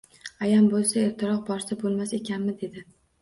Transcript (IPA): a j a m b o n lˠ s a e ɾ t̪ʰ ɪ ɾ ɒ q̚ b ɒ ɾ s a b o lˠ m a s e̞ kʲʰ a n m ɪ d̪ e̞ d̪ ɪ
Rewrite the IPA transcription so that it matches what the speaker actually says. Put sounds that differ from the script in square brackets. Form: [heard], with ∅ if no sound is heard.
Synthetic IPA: a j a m b o [∅] lˠ s a e ɾ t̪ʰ ɪ ɾ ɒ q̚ b ɒ ɾ s a b o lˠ m a s e̞ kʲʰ a n m ɪ d̪ e̞ d̪ ɪ